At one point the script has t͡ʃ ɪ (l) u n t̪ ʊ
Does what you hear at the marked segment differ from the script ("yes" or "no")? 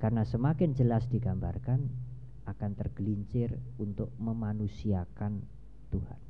yes